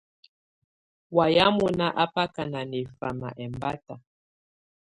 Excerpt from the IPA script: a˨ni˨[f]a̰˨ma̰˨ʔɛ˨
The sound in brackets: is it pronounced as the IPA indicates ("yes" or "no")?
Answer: yes